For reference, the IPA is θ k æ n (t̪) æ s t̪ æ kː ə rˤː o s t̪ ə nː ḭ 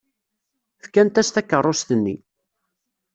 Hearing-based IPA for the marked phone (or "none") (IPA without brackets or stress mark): t̪